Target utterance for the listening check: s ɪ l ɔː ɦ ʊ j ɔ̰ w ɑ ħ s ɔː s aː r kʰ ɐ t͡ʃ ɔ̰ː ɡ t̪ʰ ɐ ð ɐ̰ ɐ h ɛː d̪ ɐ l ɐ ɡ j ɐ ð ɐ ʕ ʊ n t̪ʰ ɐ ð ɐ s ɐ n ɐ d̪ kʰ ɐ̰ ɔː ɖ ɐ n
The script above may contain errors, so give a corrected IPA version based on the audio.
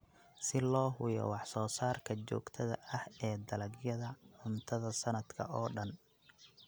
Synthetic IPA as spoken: s ɪ l ɔː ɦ ʊ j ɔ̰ w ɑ ħ s ɔː s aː r kʰ ɐ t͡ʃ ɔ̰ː ɡ t̪ʰ ɐ ð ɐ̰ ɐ h ɛː d̪ ɐ l ɐ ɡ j ɐ ð ɐ ʕ ʊ n t̪ʰ ɐ ð ɐ s ɐ n ɐ d̪ kʰ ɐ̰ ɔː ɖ ɐ n